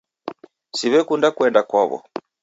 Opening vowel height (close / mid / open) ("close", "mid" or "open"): close